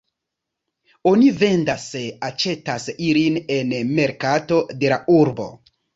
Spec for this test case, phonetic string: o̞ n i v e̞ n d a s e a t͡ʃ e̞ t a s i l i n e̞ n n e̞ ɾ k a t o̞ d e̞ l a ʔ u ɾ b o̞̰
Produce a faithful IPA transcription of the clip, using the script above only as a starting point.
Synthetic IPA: o̞ n i v e̞ n d a s e a t͡ʃ e̞ t a s i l i n e̞ n m e̞ ɾ k a t o̞ d e̞ l a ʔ u ɾ b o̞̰